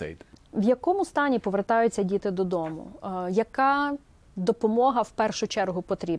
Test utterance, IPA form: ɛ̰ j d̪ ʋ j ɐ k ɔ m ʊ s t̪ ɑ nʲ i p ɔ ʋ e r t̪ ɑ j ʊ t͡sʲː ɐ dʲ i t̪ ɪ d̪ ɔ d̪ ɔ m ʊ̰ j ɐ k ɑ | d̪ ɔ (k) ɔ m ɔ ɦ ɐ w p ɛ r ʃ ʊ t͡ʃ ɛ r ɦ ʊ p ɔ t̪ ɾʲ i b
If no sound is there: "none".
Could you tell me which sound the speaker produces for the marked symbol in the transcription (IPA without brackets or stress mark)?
p